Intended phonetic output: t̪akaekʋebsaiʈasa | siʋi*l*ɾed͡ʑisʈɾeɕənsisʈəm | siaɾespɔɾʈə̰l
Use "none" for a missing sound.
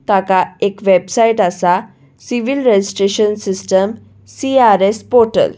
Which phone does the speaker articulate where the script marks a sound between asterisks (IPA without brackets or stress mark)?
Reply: l